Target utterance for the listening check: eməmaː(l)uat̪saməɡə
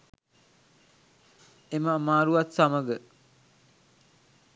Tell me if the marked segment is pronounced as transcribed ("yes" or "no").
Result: no